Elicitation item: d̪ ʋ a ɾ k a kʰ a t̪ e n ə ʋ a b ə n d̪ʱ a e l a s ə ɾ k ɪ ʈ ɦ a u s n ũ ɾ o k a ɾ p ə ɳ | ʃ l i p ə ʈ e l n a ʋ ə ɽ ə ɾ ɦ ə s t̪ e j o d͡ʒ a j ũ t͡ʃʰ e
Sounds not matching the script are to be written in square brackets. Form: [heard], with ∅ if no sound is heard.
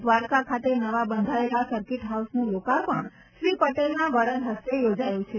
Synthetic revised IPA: d̪ ʋ a ɾ k a kʰ a t̪ e n ə ʋ a b ə n d̪ʱ a e l a s ə ɾ k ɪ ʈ ɦ a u s n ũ [l] o k a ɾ p ə ɳ | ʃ [ɾ] i p ə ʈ e l n a ʋ ə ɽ ə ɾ ɦ ə s t̪ e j o d͡ʒ a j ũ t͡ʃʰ e